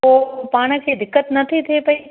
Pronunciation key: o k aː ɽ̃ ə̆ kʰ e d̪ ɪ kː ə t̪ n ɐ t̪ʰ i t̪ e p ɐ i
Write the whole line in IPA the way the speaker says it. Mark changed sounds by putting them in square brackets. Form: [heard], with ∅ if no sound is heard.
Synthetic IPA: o [p] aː ɽ̃ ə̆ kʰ e d̪ ɪ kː ə t̪ n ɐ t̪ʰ i [t̪ʰ] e p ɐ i